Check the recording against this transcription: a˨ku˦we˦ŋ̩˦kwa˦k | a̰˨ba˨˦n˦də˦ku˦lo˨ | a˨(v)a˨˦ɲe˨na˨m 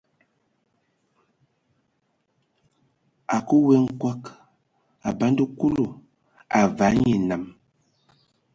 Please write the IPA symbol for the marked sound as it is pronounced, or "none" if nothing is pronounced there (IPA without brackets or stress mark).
v